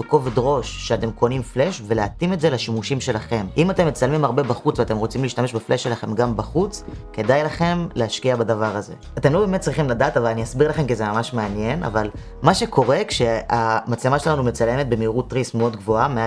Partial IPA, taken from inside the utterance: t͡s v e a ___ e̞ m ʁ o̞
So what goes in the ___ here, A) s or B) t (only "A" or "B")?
B